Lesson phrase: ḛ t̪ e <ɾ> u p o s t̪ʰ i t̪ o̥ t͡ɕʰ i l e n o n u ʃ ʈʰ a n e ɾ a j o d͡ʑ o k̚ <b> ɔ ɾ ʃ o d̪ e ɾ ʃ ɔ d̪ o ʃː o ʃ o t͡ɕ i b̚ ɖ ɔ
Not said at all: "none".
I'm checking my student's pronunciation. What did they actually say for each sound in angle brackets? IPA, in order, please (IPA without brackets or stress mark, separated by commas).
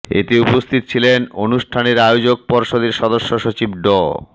none, p